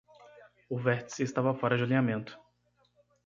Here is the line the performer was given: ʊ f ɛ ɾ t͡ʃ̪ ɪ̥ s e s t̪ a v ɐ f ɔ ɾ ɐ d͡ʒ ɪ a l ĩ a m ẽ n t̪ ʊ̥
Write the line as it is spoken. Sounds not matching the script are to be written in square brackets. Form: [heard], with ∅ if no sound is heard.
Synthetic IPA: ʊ [v] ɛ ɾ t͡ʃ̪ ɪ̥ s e s t̪ a v ɐ f ɔ ɾ ɐ d͡ʒ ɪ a l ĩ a m ẽ n t̪ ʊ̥